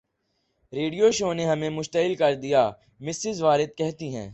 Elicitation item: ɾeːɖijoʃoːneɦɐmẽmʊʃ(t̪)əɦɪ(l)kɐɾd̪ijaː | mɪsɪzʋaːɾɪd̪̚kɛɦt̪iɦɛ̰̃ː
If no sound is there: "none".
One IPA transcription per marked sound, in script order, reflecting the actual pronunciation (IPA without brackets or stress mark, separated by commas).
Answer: t̪, l